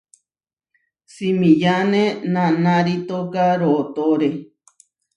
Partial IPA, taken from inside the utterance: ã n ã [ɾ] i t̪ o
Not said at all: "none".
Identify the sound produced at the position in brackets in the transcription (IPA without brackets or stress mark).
ɾ